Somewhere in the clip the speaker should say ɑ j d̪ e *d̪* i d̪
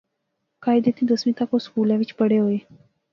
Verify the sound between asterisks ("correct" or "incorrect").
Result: incorrect